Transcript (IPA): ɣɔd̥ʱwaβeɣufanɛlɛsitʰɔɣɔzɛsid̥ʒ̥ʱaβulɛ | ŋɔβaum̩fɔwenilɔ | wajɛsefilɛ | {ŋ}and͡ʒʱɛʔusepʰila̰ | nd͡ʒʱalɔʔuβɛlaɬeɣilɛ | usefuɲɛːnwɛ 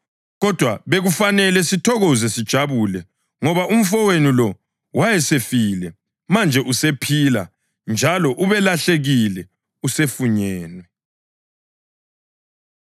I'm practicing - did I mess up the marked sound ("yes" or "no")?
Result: yes